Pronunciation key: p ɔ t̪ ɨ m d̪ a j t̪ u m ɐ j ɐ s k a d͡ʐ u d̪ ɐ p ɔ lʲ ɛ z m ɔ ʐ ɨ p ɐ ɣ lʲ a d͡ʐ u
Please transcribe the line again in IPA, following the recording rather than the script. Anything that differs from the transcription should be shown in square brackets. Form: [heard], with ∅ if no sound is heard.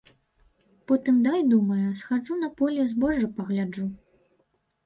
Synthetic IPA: p ɔ t̪ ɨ m d̪ a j [d̪] u m ɐ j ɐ s [x] a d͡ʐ u [n̪] ɐ p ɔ lʲ ɛ z [b] ɔ ʐ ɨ p ɐ ɣ lʲ a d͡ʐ u